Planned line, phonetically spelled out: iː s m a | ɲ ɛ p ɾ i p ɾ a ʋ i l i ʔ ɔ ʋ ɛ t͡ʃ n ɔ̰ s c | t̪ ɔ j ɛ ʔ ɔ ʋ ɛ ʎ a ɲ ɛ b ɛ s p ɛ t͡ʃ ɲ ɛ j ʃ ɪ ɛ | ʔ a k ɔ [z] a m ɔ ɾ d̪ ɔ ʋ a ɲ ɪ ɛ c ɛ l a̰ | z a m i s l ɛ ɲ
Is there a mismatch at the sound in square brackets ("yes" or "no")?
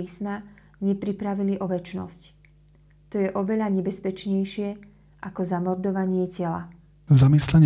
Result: no